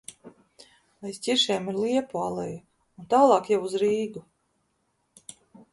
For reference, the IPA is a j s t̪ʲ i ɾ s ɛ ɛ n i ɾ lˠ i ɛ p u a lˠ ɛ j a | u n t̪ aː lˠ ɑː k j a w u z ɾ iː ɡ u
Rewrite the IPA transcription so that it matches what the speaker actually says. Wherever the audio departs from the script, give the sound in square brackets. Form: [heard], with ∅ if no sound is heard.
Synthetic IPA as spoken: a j s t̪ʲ i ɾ [ʃ] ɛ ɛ [m] i ɾ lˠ i ɛ p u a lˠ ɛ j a | u n t̪ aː lˠ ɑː k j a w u z ɾ iː ɡ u